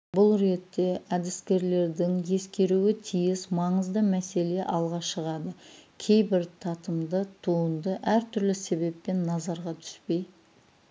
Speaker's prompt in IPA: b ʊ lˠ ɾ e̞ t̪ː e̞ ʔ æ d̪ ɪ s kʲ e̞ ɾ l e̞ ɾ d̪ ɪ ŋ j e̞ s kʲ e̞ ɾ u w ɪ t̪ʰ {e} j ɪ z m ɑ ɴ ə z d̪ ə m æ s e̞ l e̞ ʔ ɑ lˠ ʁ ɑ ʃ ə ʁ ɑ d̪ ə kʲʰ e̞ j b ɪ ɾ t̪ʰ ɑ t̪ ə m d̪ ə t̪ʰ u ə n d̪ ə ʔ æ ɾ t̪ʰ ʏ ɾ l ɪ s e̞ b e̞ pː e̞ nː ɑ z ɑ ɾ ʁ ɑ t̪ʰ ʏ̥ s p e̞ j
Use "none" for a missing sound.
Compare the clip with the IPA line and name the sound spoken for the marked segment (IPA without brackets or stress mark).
i